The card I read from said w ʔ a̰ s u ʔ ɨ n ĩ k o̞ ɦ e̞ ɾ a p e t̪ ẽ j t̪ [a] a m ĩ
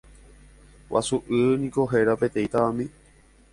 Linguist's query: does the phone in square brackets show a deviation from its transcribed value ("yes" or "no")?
no